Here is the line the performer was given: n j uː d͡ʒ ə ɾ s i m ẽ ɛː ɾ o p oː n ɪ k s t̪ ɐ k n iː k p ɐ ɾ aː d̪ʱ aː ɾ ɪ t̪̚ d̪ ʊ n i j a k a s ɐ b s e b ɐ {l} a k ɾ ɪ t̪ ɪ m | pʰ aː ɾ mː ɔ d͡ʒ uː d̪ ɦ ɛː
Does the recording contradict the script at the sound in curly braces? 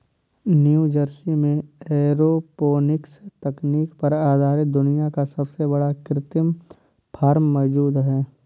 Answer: yes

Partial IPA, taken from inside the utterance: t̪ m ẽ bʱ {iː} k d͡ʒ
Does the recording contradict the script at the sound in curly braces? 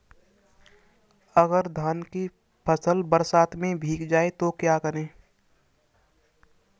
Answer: no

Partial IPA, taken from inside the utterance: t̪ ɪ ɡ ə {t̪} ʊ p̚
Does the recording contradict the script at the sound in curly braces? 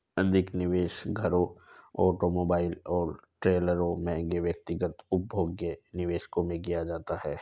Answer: no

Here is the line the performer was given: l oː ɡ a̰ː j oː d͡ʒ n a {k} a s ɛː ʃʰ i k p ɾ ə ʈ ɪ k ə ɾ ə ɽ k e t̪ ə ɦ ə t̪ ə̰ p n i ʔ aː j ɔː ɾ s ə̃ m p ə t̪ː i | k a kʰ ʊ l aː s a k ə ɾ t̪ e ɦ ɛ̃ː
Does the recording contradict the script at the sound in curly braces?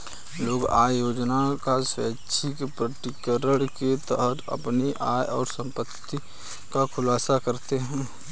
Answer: no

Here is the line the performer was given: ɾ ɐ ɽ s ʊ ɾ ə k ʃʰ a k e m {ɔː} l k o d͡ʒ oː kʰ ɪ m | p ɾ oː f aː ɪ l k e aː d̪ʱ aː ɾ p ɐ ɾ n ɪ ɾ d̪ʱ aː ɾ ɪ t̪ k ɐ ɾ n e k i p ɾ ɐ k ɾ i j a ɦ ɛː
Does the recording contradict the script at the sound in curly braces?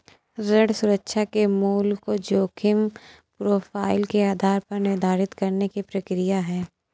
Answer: yes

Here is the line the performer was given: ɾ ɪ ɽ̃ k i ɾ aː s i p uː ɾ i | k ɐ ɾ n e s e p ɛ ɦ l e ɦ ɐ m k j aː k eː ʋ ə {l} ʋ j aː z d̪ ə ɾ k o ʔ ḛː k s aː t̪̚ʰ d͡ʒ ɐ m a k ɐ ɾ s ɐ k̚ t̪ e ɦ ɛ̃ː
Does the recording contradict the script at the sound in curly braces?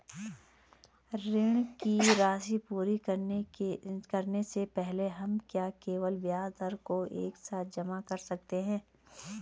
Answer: no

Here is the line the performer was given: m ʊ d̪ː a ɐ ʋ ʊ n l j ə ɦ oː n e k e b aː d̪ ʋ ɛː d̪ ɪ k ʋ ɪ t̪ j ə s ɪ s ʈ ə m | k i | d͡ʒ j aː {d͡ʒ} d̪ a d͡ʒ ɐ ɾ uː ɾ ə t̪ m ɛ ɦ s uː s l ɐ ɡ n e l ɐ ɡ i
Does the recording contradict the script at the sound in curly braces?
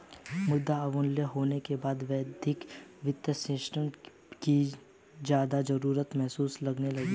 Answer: yes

